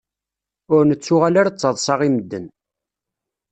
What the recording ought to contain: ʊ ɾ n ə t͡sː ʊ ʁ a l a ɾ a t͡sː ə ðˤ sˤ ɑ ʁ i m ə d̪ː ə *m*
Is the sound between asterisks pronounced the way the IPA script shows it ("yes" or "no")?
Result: no